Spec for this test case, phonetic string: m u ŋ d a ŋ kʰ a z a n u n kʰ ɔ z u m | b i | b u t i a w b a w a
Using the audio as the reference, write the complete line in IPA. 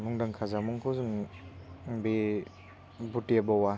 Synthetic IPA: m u ŋ d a ŋ kʰ a z a m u ŋ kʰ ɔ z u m | b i | b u t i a b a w a